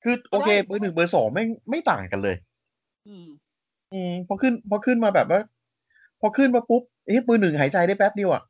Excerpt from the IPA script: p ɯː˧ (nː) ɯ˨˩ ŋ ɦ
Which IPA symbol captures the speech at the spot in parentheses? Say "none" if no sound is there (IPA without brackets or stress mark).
n